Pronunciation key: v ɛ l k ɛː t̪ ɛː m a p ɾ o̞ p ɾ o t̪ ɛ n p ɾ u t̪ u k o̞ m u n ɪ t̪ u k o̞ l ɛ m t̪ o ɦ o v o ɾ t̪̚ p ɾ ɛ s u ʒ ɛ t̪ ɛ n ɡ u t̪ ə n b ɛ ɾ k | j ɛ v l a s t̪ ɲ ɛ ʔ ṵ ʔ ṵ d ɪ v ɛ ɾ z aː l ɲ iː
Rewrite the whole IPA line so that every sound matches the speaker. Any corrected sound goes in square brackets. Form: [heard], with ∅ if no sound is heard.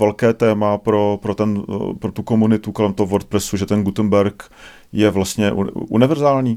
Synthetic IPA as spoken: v ɛ l k ɛː t̪ ɛː m a p ɾ o̞ p ɾ o t̪ ɛ n p ɾ [o] t̪ u k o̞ m u n ɪ t̪ u k o̞ l ɛ m t̪ o ɦ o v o ɾ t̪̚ p ɾ ɛ s u ʒ ɛ t̪ ɛ n ɡ u t̪ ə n b ɛ ɾ k | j ɛ v l a s t̪ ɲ ɛ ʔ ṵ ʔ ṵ [n] ɪ v ɛ ɾ z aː l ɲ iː